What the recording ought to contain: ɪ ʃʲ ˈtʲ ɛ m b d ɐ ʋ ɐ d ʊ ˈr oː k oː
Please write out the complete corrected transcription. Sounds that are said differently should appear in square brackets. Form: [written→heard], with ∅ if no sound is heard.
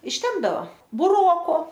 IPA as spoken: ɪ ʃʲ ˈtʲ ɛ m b d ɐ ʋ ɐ [d→b] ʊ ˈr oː k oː